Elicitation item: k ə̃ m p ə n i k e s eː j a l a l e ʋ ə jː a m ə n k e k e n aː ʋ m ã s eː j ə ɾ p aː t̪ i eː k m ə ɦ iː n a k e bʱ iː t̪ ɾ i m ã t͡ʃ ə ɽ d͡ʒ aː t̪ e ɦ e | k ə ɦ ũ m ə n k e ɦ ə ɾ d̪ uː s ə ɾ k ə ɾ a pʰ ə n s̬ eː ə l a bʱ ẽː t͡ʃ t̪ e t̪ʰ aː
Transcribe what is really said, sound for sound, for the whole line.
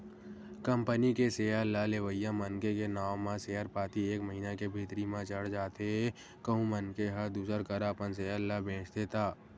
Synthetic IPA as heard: k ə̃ m p ə n i k e s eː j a l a l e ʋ ə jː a m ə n k e k e n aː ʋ m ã s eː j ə ɾ p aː t̪ i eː k m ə ɦ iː n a k e bʱ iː t̪ ɾ i m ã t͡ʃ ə ɽ d͡ʒ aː t̪ e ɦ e | k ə ɦ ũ m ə n k e ɦ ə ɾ d̪ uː s ə ɾ k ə ɾ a p ə n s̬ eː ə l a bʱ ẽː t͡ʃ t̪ e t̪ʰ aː